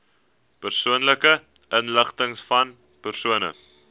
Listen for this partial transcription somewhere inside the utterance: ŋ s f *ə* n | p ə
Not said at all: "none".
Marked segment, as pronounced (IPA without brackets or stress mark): ɐ